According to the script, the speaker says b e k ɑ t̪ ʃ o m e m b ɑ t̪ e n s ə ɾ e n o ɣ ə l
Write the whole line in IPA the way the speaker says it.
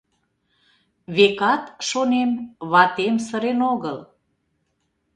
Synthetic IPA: β e k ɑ t̪ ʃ o n e m β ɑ t̪ e m s ə ɾ e n o ɣ ə l